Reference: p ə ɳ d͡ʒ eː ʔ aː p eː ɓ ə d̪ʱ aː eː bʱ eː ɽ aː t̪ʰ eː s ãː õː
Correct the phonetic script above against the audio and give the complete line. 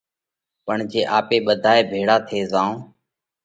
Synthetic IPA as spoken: p ə ɳ d͡ʒ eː ʔ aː p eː ɓ ə d̪ʱ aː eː bʱ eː ɽ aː t̪ʰ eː z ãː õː